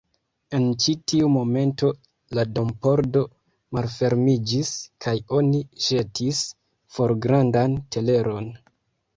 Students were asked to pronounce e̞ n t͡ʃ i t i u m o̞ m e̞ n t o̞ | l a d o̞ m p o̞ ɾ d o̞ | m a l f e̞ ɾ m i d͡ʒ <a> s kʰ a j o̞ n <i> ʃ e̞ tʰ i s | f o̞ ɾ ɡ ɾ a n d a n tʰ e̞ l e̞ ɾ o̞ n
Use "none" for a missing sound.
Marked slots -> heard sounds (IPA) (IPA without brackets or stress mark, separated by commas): i, i